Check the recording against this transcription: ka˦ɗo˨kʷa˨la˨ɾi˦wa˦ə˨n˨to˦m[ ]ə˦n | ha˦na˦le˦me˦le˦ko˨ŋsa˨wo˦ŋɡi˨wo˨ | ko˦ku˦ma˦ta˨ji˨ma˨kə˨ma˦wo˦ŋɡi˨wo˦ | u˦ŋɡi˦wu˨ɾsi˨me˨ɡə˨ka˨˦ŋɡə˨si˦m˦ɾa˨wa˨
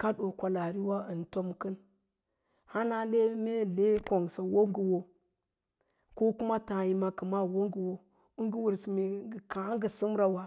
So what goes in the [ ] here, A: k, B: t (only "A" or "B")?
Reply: A